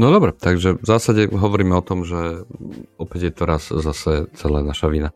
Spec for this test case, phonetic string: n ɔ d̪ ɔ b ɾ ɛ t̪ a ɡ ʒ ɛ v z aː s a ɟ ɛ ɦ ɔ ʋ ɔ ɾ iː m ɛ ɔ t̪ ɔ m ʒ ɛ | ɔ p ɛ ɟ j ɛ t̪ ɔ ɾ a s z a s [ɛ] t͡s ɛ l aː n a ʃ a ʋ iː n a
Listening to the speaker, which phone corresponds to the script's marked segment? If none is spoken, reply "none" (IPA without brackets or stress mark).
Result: ɛ